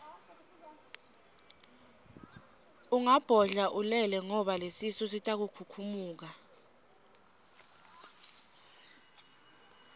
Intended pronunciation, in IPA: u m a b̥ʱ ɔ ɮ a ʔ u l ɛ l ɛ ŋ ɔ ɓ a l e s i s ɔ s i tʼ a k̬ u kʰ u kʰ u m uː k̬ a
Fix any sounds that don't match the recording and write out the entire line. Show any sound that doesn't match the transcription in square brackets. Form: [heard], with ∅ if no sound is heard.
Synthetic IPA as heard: u [ŋ] a b̥ʱ ɔ ɮ a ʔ u l ɛ l ɛ ŋ ɔ ɓ a l e s i s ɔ s i tʼ a k̬ u kʰ u kʰ u m uː k̬ a